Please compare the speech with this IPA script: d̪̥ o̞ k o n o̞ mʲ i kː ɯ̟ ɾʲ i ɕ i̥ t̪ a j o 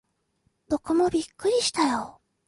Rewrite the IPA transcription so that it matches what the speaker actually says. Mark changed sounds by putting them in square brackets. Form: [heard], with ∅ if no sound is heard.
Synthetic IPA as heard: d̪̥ o̞ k o [m] o̞ [bʲ] i kː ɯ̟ ɾʲ i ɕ i̥ t̪ a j o